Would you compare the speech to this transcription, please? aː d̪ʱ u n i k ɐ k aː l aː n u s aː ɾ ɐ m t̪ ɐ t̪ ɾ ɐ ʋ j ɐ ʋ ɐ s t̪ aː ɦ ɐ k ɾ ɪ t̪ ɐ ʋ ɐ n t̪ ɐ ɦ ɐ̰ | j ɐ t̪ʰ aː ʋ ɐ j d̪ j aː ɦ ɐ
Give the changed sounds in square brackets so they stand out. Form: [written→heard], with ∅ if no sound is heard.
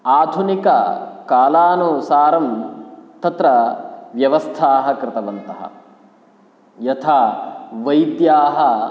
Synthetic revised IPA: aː d̪ʱ u n i k ɐ k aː l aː n u s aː ɾ ɐ m t̪ ɐ t̪ ɾ ɐ ʋ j ɐ ʋ ɐ s [t̪→t̪ʰ] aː ɦ ɐ k ɾ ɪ t̪ ɐ ʋ ɐ n t̪ ɐ ɦ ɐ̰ | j ɐ t̪ʰ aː ʋ ɐ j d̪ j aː ɦ ɐ